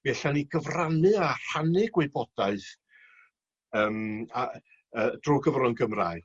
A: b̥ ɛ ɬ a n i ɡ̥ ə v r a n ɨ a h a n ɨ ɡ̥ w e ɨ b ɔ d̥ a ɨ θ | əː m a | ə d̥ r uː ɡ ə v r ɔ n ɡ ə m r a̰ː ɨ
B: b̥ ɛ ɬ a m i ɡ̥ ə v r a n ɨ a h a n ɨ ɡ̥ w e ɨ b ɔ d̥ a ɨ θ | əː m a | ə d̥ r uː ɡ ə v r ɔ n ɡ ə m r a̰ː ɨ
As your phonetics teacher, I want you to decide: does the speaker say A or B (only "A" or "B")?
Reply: A